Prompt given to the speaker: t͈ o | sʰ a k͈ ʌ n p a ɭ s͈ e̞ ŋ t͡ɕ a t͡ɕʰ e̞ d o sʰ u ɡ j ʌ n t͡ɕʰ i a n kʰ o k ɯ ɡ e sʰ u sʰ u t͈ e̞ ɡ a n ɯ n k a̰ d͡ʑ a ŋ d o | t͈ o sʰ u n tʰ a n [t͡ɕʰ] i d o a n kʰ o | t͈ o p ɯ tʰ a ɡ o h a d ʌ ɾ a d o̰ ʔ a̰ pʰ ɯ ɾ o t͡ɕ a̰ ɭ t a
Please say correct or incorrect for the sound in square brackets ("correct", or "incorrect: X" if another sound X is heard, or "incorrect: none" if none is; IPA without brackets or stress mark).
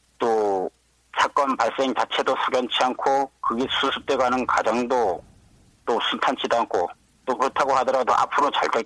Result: correct